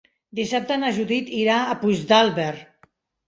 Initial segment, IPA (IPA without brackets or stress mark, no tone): d̪